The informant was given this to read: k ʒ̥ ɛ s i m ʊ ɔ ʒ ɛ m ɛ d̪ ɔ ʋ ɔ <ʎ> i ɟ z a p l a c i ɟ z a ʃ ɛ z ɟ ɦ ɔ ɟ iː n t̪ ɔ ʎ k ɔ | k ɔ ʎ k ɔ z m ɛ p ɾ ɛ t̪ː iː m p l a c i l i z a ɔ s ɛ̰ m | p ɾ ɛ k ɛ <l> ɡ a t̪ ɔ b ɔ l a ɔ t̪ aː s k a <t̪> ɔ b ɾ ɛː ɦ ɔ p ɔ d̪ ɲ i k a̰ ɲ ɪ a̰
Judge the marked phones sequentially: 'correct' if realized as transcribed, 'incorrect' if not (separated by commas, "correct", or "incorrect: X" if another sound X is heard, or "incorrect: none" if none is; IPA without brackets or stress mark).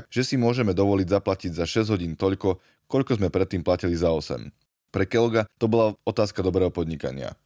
incorrect: l, correct, incorrect: d̪